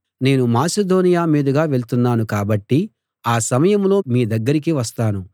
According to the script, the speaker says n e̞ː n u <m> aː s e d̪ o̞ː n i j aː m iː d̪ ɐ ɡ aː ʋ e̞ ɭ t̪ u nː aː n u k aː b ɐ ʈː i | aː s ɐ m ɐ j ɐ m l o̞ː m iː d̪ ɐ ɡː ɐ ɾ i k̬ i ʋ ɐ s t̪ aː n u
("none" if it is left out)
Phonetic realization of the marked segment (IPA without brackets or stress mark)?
m